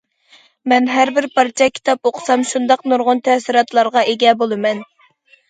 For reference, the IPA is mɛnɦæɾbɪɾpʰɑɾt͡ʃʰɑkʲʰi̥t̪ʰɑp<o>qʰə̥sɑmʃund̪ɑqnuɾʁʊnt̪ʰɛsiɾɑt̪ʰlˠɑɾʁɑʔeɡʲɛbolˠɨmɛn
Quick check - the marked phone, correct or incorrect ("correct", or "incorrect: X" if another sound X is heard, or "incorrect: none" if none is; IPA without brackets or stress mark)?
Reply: correct